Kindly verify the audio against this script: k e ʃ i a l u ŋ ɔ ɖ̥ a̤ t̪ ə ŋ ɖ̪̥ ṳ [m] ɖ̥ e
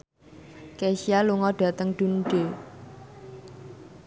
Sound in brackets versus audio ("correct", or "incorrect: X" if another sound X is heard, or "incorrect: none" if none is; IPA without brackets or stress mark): incorrect: n